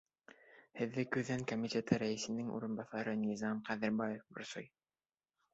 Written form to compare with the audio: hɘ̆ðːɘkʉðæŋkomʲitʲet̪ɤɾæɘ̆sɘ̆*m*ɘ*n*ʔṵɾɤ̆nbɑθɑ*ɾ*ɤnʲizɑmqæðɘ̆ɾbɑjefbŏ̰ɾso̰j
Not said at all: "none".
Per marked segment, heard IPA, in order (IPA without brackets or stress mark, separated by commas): n, ŋ, ɾ